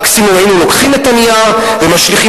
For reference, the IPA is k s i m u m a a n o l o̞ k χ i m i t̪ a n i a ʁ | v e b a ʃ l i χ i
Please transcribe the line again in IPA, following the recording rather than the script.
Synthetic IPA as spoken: k s i m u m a i n u l o̞ k χ i m e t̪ a n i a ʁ | v e m a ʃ l i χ i